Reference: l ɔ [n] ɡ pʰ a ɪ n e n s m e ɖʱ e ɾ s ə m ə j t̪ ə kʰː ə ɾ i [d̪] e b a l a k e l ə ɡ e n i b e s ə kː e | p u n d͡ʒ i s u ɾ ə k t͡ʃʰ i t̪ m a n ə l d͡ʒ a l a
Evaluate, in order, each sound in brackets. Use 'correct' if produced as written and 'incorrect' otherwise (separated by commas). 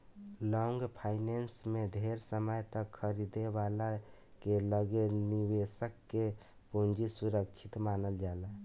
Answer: incorrect, correct